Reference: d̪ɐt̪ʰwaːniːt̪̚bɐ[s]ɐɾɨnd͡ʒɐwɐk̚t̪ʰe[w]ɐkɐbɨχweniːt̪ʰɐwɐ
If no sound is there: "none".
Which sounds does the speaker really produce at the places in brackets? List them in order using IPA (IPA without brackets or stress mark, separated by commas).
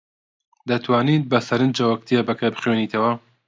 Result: s, b